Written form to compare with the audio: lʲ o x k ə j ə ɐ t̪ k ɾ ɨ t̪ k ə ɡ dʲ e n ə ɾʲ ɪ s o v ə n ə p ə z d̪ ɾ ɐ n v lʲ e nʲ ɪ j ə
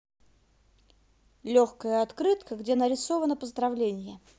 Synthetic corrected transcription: lʲ o x k ə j ə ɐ t̪ k ɾ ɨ t̪ k ə ɡ dʲ e n ə ɾʲ ɪ s o v ə n ə p ə z d̪ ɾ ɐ v lʲ e nʲ ɪ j ə